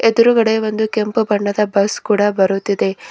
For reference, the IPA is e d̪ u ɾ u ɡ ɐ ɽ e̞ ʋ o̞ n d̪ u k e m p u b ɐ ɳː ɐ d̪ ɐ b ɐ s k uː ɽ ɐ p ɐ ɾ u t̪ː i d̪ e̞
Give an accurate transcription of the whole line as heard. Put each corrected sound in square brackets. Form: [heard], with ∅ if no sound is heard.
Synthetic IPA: e d̪ u ɾ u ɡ ɐ ɽ e̞ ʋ o̞ n d̪ u k e m p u b ɐ ɳː ɐ d̪ ɐ b ɐ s k uː ɽ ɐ [b] ɐ ɾ u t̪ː i d̪ e̞